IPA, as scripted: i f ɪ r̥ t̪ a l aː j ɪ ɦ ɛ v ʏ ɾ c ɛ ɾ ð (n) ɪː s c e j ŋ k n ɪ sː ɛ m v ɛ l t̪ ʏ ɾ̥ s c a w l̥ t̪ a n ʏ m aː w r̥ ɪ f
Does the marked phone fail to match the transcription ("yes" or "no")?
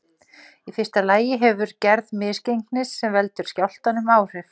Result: yes